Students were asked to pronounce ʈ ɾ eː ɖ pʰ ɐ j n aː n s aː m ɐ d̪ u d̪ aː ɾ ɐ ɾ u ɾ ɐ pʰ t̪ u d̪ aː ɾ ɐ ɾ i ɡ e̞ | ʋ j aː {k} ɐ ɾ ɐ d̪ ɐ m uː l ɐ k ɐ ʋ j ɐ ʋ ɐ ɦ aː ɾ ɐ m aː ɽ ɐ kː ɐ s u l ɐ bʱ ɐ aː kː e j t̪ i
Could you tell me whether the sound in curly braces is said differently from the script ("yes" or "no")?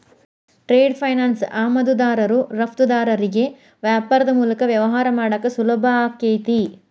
yes